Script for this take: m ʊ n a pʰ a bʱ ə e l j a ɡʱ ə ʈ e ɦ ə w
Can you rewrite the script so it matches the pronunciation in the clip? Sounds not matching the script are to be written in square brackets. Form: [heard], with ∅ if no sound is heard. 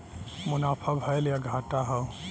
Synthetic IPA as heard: m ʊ n a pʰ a bʱ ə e l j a ɡʱ [a] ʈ [a] ɦ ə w